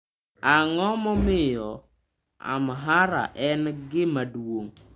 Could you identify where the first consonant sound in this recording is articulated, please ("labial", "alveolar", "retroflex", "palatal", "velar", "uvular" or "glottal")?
velar